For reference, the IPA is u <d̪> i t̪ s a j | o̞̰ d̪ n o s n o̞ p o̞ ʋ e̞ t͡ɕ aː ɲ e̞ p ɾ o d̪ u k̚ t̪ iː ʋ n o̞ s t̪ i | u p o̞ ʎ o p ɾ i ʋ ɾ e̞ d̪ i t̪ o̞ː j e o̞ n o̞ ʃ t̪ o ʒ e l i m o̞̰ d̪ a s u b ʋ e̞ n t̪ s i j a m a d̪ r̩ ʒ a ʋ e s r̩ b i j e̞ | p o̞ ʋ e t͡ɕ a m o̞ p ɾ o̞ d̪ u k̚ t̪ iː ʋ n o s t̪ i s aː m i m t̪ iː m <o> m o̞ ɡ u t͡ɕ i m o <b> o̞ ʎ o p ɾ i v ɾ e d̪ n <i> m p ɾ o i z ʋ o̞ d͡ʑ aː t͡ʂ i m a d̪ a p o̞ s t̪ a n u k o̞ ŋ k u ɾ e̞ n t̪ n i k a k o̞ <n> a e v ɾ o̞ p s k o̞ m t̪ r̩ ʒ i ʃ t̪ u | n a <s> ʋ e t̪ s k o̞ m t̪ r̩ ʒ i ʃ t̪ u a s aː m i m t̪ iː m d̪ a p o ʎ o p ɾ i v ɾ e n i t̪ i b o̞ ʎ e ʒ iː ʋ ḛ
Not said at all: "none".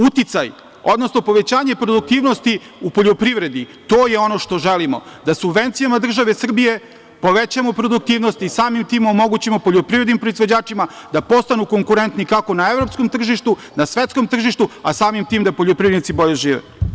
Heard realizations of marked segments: t̪, o, p, i, n, s

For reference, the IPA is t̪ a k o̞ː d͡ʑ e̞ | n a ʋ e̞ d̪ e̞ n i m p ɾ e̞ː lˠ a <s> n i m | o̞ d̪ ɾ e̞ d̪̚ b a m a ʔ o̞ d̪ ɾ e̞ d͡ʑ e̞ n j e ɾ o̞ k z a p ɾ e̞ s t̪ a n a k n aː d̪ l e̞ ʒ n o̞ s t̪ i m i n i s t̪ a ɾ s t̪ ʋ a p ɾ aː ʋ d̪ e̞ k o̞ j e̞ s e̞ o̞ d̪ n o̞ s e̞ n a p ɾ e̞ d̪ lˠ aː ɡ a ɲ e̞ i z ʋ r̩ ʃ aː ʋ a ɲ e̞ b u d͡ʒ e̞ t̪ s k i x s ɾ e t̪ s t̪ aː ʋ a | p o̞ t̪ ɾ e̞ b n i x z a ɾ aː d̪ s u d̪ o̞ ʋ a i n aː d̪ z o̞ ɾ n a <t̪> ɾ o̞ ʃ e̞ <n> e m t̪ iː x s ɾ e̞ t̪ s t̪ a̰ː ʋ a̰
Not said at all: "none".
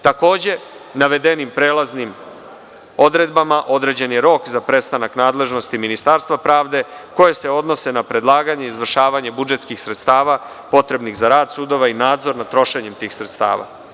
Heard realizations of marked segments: z, t̪, ɲ

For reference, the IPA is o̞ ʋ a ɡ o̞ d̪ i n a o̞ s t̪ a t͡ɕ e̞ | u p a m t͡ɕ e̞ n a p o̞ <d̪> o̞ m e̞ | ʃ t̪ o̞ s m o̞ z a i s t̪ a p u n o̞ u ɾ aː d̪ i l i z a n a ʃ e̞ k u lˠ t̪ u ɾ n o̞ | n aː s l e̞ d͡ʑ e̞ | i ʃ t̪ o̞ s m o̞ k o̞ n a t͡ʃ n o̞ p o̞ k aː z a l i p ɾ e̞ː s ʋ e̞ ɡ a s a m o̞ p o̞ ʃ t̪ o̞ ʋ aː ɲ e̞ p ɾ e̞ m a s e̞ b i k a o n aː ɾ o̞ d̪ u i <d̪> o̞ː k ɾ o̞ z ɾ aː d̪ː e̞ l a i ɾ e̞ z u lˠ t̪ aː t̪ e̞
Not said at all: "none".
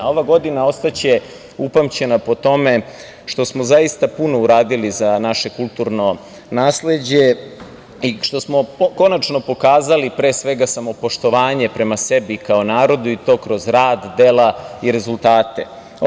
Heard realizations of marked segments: t̪, t̪

